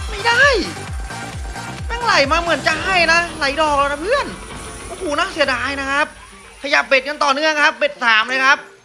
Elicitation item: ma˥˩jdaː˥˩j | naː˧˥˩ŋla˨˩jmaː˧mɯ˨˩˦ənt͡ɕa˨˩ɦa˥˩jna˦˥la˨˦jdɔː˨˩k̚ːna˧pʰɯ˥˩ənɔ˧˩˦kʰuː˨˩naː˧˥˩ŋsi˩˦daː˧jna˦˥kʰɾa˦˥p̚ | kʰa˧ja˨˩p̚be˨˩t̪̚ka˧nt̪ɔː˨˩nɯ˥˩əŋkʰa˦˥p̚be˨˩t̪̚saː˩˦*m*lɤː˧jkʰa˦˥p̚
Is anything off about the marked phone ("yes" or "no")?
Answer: no